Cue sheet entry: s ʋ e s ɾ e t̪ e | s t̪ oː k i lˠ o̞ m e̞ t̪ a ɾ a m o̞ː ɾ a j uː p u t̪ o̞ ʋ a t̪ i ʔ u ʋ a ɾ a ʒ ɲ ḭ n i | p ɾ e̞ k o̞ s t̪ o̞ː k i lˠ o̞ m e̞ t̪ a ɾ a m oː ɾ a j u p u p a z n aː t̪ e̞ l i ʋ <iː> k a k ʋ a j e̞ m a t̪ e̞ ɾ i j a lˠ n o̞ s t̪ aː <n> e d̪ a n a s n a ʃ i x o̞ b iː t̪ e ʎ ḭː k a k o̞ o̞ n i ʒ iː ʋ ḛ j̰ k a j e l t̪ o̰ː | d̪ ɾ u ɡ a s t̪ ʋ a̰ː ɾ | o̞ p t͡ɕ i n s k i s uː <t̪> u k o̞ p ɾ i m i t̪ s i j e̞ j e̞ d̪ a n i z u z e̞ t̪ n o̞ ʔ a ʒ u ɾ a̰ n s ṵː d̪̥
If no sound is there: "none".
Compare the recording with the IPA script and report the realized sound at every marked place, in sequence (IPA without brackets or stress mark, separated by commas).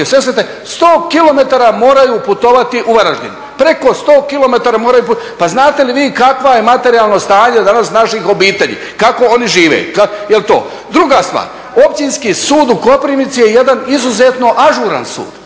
iː, ɲ, d̪